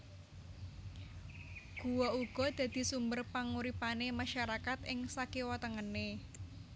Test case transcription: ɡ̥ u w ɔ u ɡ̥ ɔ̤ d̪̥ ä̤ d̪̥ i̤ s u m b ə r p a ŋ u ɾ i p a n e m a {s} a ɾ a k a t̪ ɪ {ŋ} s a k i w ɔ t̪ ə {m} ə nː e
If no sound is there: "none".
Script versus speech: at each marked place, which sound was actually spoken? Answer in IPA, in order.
ʃ, ŋ, ŋ

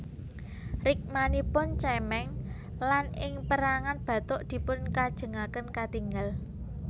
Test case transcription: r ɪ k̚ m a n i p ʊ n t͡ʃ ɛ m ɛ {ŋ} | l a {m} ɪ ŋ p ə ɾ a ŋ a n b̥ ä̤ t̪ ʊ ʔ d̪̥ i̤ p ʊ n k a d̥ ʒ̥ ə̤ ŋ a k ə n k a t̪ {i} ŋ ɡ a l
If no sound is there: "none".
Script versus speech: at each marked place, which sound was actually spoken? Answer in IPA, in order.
ŋ, n, i

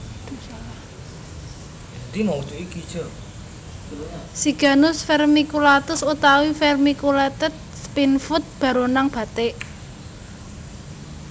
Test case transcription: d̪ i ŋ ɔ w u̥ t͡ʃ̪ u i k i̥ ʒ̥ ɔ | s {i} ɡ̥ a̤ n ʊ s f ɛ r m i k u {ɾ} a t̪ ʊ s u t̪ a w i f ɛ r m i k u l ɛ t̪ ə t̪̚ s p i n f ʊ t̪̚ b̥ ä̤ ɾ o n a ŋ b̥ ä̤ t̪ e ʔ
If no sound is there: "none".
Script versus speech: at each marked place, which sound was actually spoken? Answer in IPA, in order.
i, l

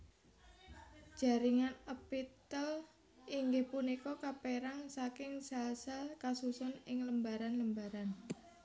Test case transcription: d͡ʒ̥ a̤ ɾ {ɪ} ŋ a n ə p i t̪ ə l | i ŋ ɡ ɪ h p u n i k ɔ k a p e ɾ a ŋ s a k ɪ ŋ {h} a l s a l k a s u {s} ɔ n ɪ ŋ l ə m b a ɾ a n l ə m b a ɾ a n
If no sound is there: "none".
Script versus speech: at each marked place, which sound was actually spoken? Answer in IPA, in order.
i, s, s

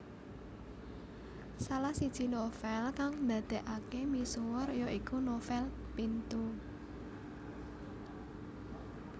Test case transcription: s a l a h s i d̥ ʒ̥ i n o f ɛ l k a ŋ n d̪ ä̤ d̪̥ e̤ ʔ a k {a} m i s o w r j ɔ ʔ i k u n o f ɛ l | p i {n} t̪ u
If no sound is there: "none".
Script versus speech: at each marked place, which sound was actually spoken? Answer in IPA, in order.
e, n

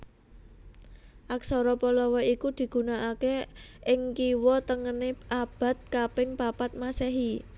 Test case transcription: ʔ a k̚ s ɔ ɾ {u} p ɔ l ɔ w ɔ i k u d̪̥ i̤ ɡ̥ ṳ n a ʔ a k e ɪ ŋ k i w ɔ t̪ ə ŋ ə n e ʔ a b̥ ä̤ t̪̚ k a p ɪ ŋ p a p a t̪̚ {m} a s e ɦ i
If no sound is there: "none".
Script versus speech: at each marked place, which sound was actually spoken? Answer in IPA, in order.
ɔ, m

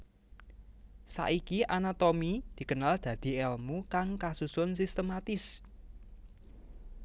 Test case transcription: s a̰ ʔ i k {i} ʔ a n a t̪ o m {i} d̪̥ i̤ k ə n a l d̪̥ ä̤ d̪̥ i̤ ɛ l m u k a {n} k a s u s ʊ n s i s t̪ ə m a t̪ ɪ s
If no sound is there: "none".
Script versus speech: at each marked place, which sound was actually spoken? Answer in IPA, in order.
i, i, ŋ

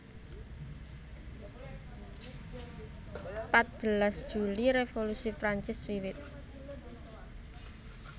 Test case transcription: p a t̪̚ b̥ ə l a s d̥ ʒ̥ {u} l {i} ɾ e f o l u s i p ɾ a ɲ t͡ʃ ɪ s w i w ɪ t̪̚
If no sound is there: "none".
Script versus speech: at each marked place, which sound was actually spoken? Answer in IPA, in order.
u, i

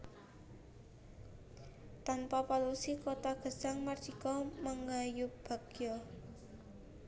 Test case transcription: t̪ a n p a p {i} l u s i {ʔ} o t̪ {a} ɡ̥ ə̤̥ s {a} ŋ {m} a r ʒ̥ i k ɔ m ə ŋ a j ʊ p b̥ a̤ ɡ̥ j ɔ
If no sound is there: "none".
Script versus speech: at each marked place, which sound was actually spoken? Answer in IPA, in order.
a, k, a, a, m

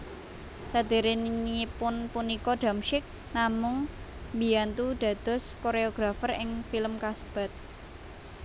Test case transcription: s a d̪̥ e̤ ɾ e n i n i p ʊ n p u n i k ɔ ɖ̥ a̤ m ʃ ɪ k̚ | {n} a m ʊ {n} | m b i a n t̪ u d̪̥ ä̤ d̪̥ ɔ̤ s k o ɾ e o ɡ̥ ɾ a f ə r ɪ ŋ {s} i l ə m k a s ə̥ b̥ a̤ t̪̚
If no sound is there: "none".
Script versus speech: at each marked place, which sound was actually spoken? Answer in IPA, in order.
n, ŋ, f

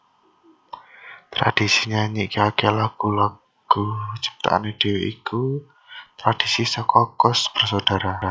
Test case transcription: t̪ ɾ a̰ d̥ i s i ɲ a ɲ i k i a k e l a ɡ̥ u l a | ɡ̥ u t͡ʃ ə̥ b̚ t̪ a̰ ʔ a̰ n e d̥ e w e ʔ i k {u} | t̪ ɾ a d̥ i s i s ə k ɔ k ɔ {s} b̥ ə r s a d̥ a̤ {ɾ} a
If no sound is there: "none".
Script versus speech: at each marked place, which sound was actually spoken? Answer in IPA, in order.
u, s, ɾ

